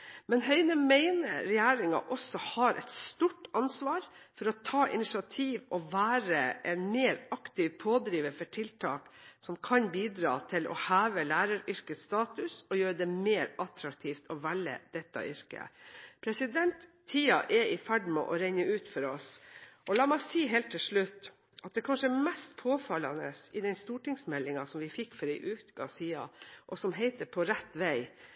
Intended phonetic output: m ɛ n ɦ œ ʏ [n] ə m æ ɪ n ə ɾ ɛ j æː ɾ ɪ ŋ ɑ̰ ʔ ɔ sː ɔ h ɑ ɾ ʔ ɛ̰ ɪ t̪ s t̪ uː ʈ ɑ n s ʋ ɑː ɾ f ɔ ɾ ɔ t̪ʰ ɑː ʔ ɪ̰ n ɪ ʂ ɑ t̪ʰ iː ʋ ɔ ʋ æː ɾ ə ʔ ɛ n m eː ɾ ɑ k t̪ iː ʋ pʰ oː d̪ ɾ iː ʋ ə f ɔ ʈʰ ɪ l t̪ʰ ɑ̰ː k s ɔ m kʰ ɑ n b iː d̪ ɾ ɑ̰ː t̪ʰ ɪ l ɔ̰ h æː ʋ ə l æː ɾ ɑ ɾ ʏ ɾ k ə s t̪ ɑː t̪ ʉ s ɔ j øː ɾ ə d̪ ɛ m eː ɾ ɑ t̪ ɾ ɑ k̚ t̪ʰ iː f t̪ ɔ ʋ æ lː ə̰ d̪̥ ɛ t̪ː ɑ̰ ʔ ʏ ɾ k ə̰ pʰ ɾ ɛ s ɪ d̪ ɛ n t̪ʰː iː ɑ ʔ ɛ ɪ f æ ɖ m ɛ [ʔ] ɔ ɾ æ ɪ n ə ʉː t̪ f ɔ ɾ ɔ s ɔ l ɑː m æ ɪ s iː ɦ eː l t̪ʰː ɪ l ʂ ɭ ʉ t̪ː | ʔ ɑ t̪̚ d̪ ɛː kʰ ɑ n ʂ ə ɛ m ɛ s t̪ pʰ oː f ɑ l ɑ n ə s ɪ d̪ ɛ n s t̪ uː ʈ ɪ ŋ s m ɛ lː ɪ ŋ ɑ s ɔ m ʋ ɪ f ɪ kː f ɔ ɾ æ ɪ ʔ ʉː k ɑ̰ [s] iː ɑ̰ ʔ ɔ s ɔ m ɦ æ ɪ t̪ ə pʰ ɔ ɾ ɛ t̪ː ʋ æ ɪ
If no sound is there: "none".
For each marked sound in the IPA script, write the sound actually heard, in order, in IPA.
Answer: n, ʔ, s

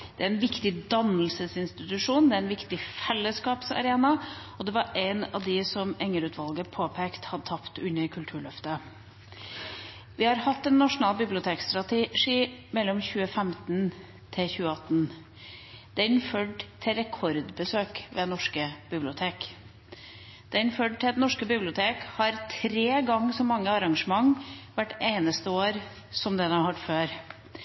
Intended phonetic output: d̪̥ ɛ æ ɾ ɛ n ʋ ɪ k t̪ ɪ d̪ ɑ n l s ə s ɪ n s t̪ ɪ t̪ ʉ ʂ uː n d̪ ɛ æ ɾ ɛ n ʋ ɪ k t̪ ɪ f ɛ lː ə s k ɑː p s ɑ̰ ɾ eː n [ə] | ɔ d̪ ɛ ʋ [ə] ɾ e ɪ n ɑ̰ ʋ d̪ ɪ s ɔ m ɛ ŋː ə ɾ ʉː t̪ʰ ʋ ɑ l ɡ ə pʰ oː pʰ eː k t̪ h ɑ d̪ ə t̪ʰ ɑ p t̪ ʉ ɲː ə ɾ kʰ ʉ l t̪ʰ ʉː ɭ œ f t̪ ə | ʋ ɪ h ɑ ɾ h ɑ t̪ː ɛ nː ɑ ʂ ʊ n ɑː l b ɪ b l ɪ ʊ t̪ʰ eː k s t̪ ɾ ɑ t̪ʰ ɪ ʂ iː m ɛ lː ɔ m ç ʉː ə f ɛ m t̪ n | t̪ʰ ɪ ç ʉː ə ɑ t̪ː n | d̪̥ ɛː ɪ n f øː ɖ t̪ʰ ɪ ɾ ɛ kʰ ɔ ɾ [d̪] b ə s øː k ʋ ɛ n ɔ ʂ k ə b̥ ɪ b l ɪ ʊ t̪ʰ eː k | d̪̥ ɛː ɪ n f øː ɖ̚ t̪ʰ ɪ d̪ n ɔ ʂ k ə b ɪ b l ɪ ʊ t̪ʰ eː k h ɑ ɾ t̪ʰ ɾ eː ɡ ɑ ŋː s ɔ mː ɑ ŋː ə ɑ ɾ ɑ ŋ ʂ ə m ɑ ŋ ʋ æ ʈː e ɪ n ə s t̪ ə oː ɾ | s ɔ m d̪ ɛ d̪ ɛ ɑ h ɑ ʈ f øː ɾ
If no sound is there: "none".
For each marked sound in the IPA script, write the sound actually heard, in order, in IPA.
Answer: ɑ, ɑ, d̪

